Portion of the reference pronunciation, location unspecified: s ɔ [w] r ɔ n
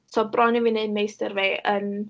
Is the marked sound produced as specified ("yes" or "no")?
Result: no